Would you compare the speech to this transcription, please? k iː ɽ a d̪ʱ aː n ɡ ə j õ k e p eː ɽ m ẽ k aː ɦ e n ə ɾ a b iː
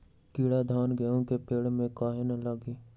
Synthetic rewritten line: k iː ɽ a d̪ʱ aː n ɡ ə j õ k e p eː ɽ m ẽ k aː ɦ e n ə l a ɡ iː